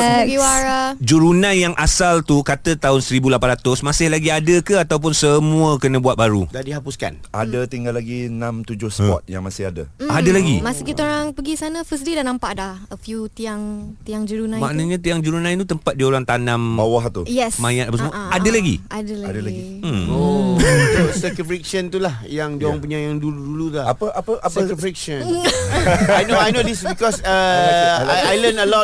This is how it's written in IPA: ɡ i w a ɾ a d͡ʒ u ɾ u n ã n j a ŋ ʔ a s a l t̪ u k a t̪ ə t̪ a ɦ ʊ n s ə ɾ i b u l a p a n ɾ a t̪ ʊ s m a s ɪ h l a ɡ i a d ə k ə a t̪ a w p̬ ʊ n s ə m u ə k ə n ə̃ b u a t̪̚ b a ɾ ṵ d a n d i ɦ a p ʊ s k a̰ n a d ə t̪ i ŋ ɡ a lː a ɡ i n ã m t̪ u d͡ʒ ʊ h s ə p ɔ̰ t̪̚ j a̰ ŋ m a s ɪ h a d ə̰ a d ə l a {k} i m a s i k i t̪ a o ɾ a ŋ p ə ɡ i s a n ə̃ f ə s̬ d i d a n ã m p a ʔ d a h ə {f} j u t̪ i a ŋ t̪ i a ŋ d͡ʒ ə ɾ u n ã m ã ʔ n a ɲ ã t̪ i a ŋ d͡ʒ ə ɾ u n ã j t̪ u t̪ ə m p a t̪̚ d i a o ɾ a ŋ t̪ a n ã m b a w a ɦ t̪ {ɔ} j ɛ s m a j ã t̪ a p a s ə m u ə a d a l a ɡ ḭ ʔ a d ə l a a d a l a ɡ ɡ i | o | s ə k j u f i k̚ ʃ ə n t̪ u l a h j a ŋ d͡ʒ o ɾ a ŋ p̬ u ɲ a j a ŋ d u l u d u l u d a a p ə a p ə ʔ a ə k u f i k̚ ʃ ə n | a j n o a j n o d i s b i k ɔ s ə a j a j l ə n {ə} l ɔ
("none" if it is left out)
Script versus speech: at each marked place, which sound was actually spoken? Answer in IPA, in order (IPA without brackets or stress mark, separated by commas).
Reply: ɡ, f, u, ə